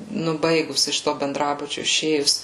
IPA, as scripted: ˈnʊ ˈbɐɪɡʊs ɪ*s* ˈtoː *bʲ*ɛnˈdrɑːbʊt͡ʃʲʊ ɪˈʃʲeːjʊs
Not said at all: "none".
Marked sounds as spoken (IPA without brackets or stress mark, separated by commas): ʃ, bʲ